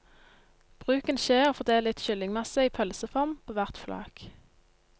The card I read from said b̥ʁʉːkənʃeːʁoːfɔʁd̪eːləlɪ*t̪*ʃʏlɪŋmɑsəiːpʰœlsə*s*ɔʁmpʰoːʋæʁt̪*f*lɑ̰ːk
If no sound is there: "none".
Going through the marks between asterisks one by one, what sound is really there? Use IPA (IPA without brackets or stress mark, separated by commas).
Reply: t̪, f, f